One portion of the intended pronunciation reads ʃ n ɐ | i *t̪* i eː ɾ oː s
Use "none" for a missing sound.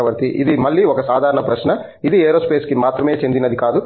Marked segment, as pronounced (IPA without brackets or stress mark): d̪